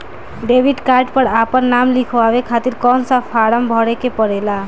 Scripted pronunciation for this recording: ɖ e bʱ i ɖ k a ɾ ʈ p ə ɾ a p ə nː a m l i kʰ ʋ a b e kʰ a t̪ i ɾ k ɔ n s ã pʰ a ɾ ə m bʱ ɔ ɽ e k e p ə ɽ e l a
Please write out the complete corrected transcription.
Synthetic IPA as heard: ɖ e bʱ i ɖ k a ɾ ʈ p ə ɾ a p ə nː a m l i kʰ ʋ a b e kʰ a t̪ i ɾ k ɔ n s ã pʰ a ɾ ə m bʱ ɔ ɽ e k e p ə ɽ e l a